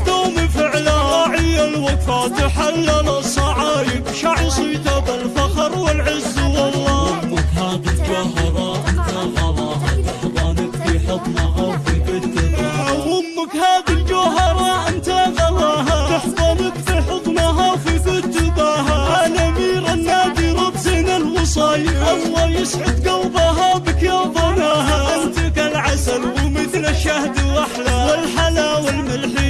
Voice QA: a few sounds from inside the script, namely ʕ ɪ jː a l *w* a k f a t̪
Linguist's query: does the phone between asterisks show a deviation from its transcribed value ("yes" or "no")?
no